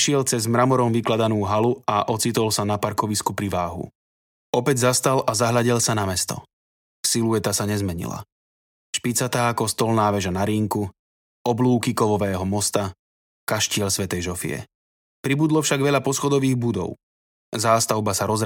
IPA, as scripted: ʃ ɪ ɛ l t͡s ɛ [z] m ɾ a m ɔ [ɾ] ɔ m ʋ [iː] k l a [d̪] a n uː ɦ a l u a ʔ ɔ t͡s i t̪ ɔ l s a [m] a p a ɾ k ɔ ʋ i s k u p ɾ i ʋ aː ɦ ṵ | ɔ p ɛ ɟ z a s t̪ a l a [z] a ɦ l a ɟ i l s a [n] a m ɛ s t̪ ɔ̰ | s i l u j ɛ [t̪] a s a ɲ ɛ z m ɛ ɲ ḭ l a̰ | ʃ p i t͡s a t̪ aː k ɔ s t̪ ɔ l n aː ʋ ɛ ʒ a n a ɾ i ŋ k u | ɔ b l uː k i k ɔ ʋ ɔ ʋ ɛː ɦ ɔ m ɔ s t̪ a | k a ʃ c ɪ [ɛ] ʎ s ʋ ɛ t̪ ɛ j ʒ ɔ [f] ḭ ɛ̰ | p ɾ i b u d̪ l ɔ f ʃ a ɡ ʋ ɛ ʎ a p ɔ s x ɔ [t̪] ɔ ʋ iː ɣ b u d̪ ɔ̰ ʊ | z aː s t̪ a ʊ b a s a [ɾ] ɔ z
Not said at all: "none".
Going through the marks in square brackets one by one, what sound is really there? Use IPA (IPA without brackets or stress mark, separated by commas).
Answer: z, ɾ, i, d̪, n, z, n, t̪, ɛ, f, d̪, ɾ